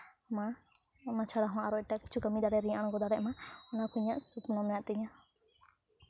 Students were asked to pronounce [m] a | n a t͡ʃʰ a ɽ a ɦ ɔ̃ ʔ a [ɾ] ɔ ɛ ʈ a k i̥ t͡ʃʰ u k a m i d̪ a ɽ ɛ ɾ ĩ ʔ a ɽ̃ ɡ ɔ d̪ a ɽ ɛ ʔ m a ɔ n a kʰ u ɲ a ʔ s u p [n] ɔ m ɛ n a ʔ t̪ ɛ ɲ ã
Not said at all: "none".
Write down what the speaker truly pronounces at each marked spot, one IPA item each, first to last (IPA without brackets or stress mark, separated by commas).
m, ɾ, n